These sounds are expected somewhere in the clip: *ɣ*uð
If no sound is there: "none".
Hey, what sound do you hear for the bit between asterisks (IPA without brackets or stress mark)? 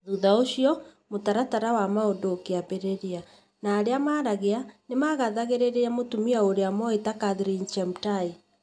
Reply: ð